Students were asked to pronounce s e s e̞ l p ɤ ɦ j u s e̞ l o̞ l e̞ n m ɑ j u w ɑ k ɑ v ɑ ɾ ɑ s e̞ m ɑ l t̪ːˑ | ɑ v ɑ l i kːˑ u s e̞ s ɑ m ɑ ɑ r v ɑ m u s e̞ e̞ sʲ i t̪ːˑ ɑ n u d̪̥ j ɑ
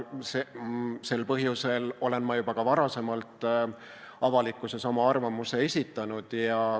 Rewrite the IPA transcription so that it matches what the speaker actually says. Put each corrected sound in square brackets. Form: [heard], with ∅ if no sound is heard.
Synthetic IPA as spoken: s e s e̞ l p ɤ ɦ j u s e̞ l o̞ l e̞ n m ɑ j u [b] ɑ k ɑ v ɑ ɾ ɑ s e̞ m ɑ l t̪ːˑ | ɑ v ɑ l i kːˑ u s e̞ s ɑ m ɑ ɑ r v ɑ m u s e̞ e̞ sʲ i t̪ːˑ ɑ n u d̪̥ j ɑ